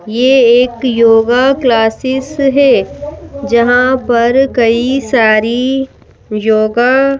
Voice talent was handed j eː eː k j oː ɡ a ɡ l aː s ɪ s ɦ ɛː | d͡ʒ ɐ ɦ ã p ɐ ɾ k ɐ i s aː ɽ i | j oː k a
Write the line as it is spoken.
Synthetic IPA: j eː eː k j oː ɡ a k l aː s ɪ s ɦ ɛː | d͡ʒ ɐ ɦ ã p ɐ ɾ k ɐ i s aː ɾ i | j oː ɡ a

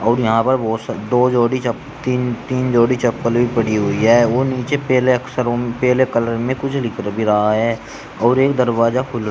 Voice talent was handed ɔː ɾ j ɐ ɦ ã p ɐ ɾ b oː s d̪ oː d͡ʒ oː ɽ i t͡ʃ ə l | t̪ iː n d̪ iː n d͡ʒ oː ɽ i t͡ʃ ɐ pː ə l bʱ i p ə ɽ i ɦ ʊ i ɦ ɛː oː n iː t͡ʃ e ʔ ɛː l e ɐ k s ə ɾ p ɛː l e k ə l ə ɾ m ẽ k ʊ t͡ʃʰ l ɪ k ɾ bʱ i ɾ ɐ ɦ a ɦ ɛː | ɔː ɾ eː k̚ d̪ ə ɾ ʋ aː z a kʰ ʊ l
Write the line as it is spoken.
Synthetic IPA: ɔː ɾ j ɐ ɦ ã p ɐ ɾ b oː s d̪ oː d͡ʒ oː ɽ i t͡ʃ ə | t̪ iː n t̪ iː n d͡ʒ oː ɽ i t͡ʃ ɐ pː ə l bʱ i p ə ɽ i ɦ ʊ i ɦ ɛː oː n iː t͡ʃ e p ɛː l e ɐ k s ə ɾ p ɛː l e k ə l ə ɾ m ẽ k ʊ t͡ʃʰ l ɪ k ɾ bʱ i ɾ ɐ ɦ a ɦ ɛː | ɔː ɾ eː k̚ d̪ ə ɾ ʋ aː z a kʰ ʊ l

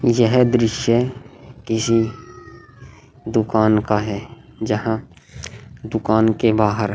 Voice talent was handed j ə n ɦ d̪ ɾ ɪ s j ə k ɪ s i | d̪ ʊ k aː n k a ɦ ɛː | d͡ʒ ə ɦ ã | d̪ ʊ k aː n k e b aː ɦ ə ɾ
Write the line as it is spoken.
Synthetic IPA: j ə ɦ d̪ ɾ ɪ ʃ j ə k ɪ s i | d̪ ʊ k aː n k a ɦ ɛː | d͡ʒ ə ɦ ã | d̪ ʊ k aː n k e b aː ɦ ə ɾ

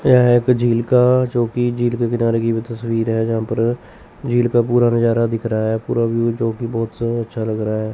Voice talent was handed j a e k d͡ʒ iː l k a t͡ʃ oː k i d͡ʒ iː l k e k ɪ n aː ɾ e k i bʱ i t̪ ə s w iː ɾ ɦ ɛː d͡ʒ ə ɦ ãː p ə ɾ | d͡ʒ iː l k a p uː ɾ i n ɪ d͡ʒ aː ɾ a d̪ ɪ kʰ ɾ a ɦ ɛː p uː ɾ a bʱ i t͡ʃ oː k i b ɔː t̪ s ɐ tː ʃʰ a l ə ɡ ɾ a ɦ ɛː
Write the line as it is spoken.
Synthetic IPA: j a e k d͡ʒ iː l k a t͡ʃ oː k i d͡ʒ iː l k e k ɪ n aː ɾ e k i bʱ i t̪ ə s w iː ɾ ɦ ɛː d͡ʒ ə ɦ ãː p ə ɾ | d͡ʒ iː l k a p uː ɾ a n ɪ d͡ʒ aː ɾ a d̪ ɪ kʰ ɾ a ɦ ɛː p uː ɾ a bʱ i t͡ʃ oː k i b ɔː t̪ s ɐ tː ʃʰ a l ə ɡ ɾ a ɦ ɛː

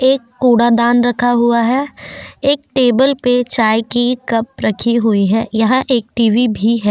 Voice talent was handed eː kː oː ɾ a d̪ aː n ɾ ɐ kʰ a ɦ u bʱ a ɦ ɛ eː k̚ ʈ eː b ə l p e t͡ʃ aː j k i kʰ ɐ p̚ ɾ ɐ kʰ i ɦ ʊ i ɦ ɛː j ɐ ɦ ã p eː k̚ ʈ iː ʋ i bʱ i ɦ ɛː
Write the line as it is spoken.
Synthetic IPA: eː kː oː ɽ a d̪ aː n ɾ ɐ kʰ a ɦ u a ɦ ɛ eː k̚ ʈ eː b ə l p e t͡ʃ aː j k i k ɐ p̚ ɾ ɐ kʰ i ɦ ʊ i ɦ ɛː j ɐ ɦ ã ʔ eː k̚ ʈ iː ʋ i bʱ i ɦ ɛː

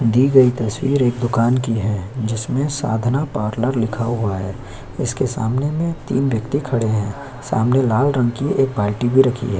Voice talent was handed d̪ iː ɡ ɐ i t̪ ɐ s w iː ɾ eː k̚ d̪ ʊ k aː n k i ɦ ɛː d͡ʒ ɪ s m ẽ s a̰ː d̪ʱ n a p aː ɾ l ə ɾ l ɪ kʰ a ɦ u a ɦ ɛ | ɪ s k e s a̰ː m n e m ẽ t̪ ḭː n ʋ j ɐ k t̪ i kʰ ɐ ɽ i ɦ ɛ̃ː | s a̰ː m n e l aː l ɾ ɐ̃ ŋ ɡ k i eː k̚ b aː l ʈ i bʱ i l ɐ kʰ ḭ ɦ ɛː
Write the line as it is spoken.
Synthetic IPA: d̪ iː ɡ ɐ i t̪ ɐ s w iː ɾ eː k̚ d̪ ʊ k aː n k i ɦ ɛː d͡ʒ ɪ s m ẽ s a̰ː d̪ʱ n a p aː ɾ l ə ɾ l ɪ kʰ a ɦ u a ɦ ɛː | ɪ s k e s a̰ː m n e m ẽ t̪ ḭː n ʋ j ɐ k t̪ i kʰ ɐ ɽ e ɦ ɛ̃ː | s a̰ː m n e l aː l ɾ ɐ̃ ŋ ɡ k i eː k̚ b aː l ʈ i bʱ i ɾ ɐ kʰ ḭ ɦ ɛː

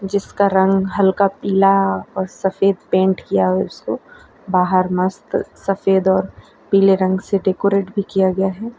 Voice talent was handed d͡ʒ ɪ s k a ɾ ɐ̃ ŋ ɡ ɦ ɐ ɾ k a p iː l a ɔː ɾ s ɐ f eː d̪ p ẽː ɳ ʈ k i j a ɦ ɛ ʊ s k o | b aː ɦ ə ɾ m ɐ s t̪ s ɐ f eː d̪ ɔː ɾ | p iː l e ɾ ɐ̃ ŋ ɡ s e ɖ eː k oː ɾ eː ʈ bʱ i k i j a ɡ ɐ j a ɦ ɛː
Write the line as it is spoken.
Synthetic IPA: d͡ʒ ɪ s k a ɾ ɐ̃ ŋ ɡ ɦ ɐ l k a p iː l a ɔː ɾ s ɐ f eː d̪ p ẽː ɳ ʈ k i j a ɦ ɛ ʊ s k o | b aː ɦ ə ɾ m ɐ s t̪ s ɐ f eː d̪ ɔː ɾ | p iː l e ɾ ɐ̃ ŋ ɡ s e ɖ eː k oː ɾ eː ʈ bʱ i k i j a ɡ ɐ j a ɦ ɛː

